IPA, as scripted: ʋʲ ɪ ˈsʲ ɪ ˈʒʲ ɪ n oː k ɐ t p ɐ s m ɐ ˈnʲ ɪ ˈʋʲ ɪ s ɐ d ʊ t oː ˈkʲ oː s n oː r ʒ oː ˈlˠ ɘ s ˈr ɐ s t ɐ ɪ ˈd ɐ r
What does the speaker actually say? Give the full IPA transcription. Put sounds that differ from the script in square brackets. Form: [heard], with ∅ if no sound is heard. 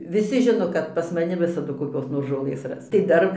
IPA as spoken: ʋʲ ɪ ˈsʲ ɪ ˈʒʲ ɪ n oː k ɐ t p ɐ s m ɐ ˈnʲ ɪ ˈʋʲ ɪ s ɐ d ʊ [k] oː ˈkʲ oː s n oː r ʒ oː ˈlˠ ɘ s ˈr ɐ s t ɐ ɪ ˈd ɐ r